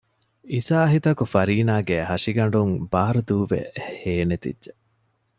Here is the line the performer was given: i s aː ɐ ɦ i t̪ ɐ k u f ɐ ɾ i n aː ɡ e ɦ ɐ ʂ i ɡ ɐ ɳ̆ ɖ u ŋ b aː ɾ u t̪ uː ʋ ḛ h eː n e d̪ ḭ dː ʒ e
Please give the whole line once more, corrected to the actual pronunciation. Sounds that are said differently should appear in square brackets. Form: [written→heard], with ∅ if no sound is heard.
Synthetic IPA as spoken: i s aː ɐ ɦ i t̪ ɐ k u f ɐ ɾ [i→iː] n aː ɡ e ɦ ɐ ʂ i ɡ ɐ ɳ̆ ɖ u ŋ b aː ɾ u [t̪→d̪] uː ʋ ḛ h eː n e [d̪→t̪] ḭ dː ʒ e